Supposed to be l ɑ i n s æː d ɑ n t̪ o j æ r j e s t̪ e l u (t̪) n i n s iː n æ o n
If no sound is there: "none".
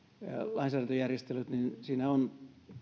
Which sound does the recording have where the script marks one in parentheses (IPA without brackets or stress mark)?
t̪